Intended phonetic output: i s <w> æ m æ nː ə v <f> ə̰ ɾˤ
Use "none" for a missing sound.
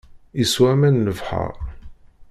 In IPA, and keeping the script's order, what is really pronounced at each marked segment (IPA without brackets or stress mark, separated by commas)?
w, ħ